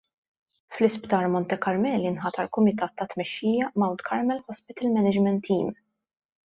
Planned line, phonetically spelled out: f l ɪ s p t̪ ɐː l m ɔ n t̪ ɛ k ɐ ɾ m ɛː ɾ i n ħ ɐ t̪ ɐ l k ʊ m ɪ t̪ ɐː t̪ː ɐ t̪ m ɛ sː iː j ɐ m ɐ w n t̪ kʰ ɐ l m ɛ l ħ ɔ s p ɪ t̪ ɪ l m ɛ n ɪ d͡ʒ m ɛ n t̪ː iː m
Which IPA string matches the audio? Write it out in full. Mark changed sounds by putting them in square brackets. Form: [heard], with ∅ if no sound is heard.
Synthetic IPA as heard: f l ɪ s p t̪ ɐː [ɾ] m ɔ n t̪ ɛ k ɐ ɾ m ɛː [l] i n ħ ɐ t̪ ɐ l k ʊ m ɪ t̪ ɐː t̪ː ɐ t̪ m ɛ [ʃː] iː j ɐ m ɐ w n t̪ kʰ ɐ [ɾ] m ɛ l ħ ɔ s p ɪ t̪ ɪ l m ɛ n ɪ d͡ʒ m ɛ n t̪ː iː m